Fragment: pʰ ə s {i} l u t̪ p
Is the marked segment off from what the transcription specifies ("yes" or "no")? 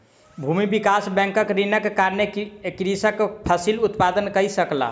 no